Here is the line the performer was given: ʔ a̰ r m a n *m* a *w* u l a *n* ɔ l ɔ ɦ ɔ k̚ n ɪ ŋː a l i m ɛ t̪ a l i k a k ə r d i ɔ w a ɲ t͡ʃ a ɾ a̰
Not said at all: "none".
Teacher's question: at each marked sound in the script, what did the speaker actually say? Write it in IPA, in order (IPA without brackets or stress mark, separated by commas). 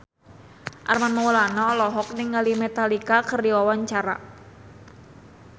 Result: m, w, n